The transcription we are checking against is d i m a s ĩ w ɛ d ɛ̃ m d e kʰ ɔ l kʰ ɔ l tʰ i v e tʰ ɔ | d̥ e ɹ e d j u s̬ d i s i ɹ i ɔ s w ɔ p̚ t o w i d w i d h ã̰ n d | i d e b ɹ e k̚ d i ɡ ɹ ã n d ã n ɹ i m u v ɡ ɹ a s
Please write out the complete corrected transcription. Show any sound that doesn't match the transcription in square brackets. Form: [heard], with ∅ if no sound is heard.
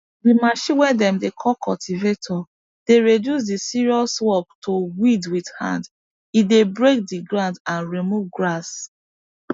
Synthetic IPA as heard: d i m a [ʃ] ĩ w ɛ d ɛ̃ m d e kʰ ɔ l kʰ ɔ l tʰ i v e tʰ ɔ | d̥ e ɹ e d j u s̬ d i s i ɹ i ɔ s w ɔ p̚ t o w i d w i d h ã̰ n d | i d e b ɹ e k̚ d i ɡ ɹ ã n d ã n ɹ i m u v ɡ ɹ a s